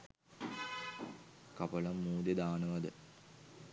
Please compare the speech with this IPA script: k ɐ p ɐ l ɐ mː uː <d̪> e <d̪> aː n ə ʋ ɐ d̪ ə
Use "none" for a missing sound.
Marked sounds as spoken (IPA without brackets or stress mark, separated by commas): d̪, d̪